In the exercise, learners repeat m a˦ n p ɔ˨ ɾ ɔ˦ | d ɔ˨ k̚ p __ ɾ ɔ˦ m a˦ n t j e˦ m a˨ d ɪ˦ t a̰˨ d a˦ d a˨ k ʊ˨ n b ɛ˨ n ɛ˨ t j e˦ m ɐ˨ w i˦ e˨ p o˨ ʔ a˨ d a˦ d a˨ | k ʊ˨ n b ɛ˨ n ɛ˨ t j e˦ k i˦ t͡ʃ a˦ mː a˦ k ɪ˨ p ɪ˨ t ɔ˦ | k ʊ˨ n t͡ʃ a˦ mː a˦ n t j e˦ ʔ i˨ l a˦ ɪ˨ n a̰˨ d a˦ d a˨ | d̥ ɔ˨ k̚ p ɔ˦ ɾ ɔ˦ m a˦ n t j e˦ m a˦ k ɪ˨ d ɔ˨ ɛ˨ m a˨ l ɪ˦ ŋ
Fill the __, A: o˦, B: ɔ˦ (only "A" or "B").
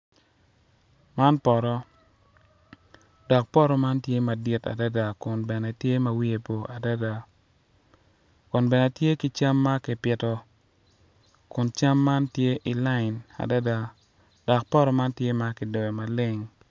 B